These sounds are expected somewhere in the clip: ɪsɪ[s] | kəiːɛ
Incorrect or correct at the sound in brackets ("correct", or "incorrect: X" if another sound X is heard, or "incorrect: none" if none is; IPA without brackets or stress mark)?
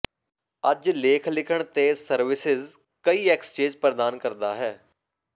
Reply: incorrect: z